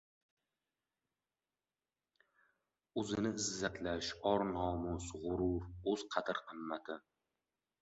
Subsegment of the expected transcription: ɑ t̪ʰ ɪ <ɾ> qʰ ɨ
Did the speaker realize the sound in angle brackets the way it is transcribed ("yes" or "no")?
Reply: yes